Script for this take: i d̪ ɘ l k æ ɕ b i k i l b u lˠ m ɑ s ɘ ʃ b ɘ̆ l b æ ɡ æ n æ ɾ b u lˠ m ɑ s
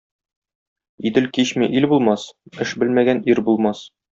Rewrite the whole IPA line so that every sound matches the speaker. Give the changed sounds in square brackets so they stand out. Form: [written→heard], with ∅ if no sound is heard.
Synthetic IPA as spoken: i d̪ ɘ l k [æ→i] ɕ [b→m] i [k→ʔ] i l b u lˠ m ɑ s ɘ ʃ b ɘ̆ l [b→m] æ ɡ æ n [æ→i] ɾ b u lˠ m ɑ s